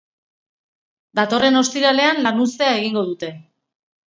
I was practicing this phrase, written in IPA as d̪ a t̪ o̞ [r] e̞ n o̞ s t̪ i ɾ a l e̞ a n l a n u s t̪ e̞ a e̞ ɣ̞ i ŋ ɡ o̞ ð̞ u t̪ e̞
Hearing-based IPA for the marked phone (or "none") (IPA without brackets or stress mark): r